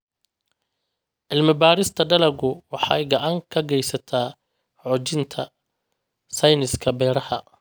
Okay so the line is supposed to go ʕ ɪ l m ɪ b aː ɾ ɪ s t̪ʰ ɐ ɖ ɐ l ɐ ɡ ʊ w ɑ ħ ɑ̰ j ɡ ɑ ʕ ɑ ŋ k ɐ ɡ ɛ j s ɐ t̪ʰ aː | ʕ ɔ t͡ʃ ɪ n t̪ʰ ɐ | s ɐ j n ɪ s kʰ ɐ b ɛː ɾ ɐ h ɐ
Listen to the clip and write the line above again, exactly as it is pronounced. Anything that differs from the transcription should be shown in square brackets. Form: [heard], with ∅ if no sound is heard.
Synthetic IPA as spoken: ʕ ɪ l m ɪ b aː ɾ ɪ s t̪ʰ ɐ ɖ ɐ l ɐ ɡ ʊ w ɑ ħ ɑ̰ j ɡ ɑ ʕ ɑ ŋ [kʰ] ɐ ɡ ɛ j s ɐ t̪ʰ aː | ʕ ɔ t͡ʃ ɪ n t̪ʰ ɐ | s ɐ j n ɪ s kʰ ɐ b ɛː ɾ ɐ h ɐ